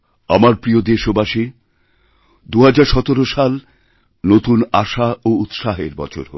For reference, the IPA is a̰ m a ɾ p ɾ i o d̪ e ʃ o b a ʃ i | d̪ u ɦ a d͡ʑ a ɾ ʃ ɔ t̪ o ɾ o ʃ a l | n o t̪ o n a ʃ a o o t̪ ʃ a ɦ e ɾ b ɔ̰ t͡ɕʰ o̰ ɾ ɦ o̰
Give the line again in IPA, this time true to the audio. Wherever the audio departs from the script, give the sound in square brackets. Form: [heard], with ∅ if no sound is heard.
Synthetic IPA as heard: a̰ m a ɾ p ɾ i o d̪ e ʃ o b a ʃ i | d̪ u ɦ a d͡ʑ a ɾ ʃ ɔ t̪ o ɾ o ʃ a l | n o t̪ [u] n a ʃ a o [u] t̪ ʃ a ɦ e ɾ b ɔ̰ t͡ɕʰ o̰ ɾ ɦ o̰